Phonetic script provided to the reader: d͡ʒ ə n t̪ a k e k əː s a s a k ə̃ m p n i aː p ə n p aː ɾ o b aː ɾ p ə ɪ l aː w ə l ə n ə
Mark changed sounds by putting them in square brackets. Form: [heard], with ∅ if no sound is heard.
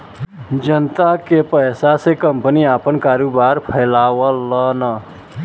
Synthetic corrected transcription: d͡ʒ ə n t̪ a k e [p] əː s a s [e] k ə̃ m p n i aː p ə n [k] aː ɾ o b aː ɾ [pʰ] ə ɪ l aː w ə l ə n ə